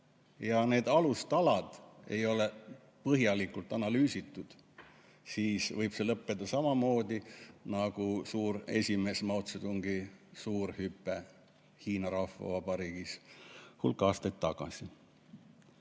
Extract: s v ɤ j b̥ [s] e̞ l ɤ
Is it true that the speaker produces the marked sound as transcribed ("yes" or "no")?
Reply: yes